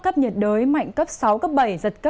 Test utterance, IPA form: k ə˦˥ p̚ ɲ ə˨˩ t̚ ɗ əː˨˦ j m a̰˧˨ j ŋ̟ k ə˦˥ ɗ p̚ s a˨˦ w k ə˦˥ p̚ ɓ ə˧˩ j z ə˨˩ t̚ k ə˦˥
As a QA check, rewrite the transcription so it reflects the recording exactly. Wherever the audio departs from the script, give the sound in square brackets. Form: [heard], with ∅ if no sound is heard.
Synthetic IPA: k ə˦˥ p̚ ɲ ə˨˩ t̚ ɗ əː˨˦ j m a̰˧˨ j ŋ̟ k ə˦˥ [∅] p̚ s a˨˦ w k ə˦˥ p̚ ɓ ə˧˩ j z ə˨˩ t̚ k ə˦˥